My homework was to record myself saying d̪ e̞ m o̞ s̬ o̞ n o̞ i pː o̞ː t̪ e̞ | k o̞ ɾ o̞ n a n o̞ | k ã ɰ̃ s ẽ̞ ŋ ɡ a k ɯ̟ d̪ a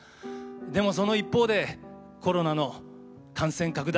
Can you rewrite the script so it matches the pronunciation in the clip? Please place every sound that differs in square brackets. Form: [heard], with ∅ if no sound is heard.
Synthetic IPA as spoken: d̪ e̞ m o̞ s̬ o̞ n o̞ i pː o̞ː [d̪] e̞ | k o̞ ɾ o̞ n a n o̞ | k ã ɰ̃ s ẽ̞ ŋ [k] a k ɯ̟ d̪ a